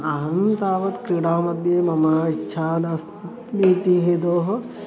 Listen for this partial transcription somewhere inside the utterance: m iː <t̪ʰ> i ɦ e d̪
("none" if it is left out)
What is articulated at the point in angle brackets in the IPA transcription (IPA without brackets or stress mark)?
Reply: t̪